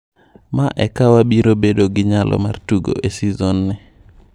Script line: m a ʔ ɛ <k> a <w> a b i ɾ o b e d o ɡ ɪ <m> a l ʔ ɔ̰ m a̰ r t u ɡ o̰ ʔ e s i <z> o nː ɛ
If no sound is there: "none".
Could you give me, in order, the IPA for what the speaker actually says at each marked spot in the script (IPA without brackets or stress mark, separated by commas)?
k, w, ɲ, z